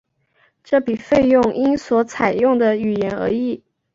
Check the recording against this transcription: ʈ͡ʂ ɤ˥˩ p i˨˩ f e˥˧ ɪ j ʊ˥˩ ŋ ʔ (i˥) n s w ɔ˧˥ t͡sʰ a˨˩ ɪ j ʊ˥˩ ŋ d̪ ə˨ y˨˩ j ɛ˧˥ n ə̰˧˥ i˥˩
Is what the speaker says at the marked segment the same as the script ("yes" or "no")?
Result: yes